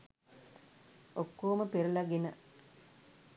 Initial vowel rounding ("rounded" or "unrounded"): rounded